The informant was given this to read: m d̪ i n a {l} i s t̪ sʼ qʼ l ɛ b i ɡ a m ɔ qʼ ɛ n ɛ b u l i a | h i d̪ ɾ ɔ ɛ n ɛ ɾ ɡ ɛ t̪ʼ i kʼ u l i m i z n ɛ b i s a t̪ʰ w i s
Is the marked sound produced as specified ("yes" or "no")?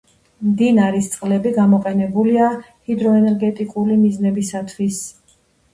no